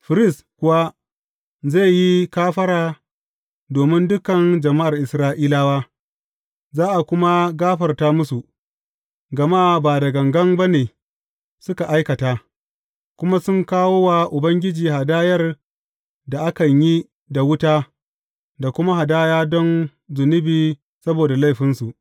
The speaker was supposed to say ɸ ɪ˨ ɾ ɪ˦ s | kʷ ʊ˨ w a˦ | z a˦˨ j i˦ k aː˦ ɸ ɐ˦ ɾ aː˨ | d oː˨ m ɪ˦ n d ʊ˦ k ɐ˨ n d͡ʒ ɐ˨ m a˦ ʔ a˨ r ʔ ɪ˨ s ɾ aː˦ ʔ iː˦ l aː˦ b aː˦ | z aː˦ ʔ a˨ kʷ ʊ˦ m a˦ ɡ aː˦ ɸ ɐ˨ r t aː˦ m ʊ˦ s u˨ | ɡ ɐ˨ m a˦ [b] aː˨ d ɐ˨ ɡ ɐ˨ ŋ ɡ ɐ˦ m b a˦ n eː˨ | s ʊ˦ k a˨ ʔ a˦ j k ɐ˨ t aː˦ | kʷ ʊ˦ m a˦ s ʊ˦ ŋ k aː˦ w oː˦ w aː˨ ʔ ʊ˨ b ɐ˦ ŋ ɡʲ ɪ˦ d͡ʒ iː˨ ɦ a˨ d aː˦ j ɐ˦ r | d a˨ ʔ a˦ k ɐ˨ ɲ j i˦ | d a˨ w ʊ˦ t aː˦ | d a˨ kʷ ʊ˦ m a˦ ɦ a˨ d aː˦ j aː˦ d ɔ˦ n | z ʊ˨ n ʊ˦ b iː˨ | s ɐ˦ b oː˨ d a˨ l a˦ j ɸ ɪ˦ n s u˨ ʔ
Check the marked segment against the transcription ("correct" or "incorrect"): correct